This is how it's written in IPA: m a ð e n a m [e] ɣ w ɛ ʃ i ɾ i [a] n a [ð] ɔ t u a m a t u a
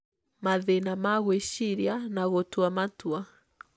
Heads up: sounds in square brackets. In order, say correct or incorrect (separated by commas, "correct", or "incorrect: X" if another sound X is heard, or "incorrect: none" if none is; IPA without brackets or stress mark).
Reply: incorrect: a, correct, incorrect: ɣ